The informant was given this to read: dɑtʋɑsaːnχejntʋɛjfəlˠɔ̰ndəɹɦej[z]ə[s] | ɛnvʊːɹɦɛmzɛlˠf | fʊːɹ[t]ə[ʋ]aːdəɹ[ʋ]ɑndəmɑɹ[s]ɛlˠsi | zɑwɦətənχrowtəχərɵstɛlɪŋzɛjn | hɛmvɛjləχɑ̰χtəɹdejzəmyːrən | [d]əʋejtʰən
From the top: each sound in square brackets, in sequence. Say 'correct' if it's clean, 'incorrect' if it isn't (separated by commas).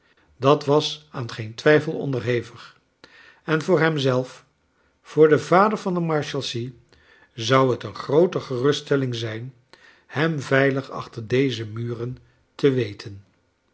incorrect, incorrect, incorrect, incorrect, incorrect, incorrect, incorrect